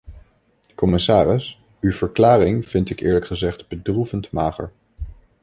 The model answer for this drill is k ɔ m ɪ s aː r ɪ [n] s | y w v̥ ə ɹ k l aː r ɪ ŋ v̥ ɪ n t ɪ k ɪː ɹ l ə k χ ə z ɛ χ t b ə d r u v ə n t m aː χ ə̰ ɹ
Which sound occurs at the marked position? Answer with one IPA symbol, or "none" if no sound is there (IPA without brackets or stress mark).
none